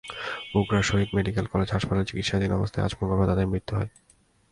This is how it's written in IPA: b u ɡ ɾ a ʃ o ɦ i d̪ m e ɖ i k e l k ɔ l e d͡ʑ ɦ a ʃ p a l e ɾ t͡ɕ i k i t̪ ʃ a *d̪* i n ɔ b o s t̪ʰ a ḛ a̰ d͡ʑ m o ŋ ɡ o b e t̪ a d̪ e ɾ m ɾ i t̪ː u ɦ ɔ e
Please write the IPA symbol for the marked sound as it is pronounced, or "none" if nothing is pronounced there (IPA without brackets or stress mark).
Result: d̪